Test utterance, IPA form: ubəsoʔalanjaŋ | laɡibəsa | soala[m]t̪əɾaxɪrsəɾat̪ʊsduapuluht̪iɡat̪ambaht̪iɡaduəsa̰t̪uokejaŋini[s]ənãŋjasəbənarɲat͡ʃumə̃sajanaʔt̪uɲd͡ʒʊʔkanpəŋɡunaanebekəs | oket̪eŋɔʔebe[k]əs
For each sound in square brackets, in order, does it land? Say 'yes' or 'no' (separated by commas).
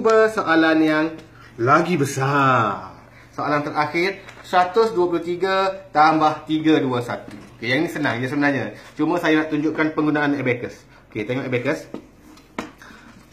no, yes, yes